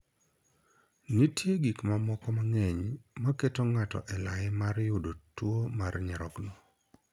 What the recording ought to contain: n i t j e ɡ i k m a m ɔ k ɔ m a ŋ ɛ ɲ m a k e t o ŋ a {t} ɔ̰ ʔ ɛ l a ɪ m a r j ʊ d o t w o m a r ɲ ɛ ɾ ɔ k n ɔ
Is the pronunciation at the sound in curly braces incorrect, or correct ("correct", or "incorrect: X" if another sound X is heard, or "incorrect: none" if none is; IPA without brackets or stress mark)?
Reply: correct